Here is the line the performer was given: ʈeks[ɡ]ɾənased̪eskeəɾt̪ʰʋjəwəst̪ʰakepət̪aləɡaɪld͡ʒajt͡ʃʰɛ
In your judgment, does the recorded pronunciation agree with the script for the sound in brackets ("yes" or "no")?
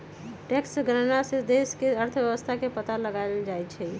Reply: yes